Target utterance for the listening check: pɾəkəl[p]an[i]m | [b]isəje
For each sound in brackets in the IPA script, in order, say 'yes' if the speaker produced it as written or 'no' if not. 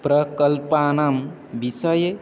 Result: yes, no, yes

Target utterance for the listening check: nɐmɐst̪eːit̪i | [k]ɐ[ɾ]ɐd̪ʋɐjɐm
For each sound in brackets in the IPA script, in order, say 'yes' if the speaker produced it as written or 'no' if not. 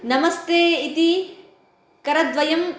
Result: yes, yes

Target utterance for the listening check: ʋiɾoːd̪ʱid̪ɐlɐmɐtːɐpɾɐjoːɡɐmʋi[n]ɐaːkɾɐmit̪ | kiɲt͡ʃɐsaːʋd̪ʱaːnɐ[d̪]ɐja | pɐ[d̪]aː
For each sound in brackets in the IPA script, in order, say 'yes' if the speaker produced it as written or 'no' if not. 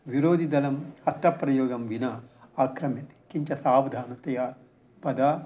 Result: yes, no, yes

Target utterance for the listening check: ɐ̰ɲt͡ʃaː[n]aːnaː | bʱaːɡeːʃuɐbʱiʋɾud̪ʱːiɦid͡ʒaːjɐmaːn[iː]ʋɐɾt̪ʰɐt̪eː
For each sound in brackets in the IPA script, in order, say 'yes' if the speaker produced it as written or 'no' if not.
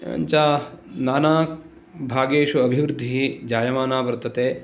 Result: yes, no

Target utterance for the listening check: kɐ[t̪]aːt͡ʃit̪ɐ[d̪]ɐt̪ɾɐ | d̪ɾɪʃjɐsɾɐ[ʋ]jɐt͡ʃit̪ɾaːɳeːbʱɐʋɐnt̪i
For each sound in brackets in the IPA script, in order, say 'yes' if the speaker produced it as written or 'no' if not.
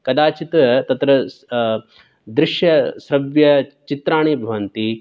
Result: no, no, yes

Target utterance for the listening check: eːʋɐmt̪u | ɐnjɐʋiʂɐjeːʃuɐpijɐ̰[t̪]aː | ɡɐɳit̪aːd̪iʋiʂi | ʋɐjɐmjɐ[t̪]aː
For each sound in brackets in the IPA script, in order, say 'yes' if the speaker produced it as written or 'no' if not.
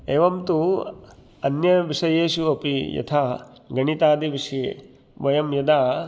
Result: no, no

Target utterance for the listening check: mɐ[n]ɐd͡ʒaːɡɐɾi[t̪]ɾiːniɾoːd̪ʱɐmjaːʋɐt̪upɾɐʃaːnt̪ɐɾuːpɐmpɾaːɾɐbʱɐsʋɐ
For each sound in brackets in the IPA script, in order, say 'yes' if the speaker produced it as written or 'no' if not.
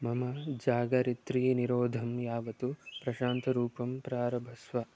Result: no, yes

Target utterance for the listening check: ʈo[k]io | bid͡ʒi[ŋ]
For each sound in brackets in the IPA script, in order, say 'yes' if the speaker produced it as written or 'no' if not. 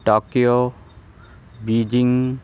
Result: yes, yes

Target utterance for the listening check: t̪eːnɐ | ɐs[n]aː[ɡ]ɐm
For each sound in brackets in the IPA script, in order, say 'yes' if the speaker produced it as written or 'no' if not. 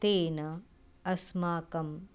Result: no, no

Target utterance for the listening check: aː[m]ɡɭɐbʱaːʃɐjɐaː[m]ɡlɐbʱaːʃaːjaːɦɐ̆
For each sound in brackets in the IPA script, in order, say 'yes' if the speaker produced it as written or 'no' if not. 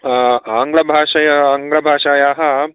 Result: no, no

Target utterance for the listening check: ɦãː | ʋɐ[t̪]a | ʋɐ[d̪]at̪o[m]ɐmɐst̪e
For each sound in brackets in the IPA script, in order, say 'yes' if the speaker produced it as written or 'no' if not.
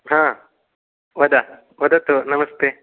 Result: no, yes, no

